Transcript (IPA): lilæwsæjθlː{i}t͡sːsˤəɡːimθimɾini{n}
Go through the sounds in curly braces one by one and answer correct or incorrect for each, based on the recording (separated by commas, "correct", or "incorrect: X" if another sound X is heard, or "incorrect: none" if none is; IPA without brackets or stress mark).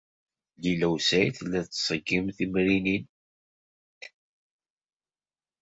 incorrect: æ, correct